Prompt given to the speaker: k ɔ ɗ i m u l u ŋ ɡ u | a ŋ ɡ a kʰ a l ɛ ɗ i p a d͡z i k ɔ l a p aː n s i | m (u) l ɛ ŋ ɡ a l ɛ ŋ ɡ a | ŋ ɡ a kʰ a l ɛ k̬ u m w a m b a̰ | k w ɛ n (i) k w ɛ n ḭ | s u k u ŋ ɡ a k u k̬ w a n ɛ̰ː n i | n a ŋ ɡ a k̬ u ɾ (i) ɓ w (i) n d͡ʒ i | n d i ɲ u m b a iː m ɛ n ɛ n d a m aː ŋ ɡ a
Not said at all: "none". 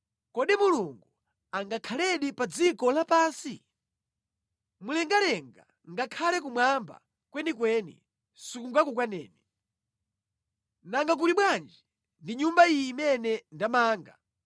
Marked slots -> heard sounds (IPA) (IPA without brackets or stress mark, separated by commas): u, i, i, a